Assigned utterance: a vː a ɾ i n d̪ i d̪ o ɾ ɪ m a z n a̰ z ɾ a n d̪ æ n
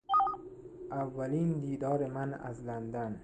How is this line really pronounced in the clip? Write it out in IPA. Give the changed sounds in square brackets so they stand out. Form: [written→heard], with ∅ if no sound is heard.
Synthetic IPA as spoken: a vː a [ɾ→l] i n d̪ i d̪ [o→ɒ] ɾ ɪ m a [z→∅] n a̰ z [ɾ→l] a n d̪ [æ→a] n